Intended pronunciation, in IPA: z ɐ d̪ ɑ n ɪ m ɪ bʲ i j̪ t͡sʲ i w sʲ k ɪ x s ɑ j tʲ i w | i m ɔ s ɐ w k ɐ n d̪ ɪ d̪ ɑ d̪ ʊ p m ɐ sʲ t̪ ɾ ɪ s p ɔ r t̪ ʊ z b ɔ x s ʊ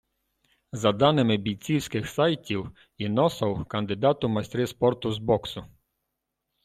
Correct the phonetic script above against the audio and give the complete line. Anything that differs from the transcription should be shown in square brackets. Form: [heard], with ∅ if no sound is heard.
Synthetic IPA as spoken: z ɐ d̪ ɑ n ɪ m ɪ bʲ i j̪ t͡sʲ i w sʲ k ɪ x s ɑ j tʲ i w | i [n] ɔ s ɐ w k ɐ n d̪ ɪ d̪ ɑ [t̪] ʊ [∅] m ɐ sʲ t̪ ɾ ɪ s p ɔ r t̪ ʊ z b ɔ [k] s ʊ